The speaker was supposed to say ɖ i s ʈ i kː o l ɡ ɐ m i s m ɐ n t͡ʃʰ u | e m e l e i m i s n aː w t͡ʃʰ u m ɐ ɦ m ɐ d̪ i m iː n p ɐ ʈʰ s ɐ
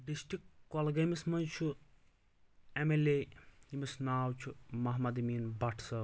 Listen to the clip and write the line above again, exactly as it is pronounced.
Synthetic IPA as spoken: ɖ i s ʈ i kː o l ɡ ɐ m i s m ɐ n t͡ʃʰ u | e m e l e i m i s n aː w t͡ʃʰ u m ɐ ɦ m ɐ d̪ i m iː n b ɐ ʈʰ s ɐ